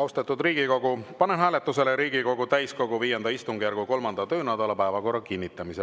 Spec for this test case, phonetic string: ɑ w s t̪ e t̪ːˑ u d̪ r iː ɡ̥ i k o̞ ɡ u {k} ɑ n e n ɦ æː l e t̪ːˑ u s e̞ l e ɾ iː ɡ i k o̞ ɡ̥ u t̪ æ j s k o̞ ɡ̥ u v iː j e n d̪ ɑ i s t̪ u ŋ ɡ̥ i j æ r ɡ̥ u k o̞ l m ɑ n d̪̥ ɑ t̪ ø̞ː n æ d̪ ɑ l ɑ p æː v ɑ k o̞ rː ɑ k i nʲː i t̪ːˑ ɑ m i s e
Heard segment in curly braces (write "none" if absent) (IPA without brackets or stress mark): p